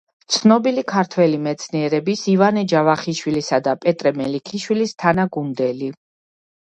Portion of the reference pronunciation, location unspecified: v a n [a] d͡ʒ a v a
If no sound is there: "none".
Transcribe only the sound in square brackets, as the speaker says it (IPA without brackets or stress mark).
ɛ